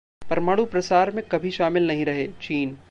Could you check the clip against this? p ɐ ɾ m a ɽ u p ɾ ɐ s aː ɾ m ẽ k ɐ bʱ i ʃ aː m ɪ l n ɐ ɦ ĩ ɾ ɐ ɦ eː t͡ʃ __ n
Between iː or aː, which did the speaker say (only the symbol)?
iː